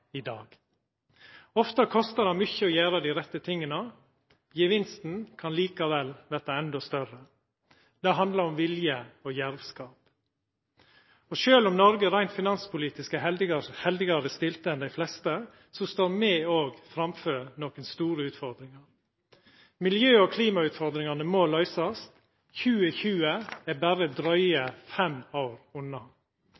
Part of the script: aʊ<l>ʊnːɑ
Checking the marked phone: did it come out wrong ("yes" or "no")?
yes